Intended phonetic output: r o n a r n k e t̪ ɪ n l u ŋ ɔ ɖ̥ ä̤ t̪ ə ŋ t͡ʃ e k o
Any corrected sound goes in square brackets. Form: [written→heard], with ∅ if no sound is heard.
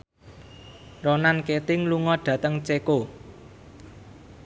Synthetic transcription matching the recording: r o n a [r→∅] n k e t̪ ɪ [n→ŋ] l u ŋ ɔ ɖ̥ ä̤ t̪ ə ŋ t͡ʃ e k o